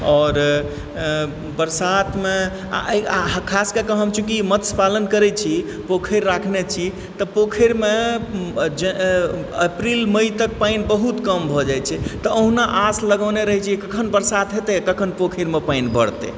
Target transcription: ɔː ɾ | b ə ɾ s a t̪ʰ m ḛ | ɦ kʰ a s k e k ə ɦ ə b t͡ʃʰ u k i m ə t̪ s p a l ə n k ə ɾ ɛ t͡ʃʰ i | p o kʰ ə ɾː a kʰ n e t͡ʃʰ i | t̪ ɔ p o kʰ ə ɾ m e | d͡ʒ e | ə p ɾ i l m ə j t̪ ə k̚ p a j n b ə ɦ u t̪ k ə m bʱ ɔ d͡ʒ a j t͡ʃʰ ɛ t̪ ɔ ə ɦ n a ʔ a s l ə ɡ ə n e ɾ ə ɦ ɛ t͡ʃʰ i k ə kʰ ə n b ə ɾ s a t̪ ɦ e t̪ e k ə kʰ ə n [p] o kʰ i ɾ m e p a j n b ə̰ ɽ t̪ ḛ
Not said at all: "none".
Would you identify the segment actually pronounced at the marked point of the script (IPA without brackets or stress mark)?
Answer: p